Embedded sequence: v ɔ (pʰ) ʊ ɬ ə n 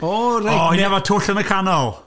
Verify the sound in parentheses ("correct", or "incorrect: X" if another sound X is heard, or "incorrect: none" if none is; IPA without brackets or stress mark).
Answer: incorrect: tʰ